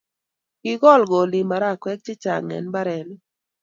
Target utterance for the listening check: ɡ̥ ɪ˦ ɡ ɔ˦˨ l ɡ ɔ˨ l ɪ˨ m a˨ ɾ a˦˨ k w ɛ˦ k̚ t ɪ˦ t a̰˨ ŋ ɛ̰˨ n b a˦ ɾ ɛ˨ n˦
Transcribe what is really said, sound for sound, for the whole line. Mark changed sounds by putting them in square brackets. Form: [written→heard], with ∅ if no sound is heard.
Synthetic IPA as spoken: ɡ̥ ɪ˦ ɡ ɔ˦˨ l ɡ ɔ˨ l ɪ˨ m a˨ ɾ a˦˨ k w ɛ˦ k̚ [t→t͡ʃ] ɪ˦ [t→t͡ʃ] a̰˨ ŋ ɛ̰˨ n b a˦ ɾ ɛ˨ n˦